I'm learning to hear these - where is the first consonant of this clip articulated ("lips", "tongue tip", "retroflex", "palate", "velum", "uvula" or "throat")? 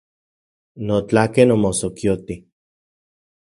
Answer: tongue tip